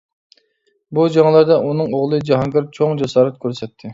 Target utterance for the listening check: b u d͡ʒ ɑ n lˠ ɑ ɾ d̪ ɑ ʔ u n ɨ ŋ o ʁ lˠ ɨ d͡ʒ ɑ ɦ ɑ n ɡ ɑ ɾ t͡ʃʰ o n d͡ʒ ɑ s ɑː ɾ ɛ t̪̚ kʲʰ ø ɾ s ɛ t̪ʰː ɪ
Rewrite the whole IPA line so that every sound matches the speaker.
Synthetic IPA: b u d͡ʒ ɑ ŋ lˠ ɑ ɾ d̪ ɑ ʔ u n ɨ ŋ o ʁ lˠ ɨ d͡ʒ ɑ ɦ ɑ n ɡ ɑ ɾ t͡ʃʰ o ŋ d͡ʒ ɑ s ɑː ɾ ɛ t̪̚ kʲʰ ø ɾ s ɛ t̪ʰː ɪ